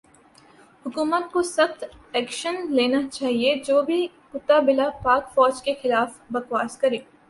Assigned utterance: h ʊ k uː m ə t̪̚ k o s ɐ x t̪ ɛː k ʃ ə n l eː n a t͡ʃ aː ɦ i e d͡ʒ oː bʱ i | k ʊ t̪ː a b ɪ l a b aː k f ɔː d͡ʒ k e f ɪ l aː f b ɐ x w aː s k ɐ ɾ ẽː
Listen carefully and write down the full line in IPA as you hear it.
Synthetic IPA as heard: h ʊ k uː m ə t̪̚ k o s ɐ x t̪ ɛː k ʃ ə n l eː n a t͡ʃ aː ɦ i e d͡ʒ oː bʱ i | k ʊ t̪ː a b ɪ l a p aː k f ɔː d͡ʒ k e x ɪ l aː f b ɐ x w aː s k ɐ ɾ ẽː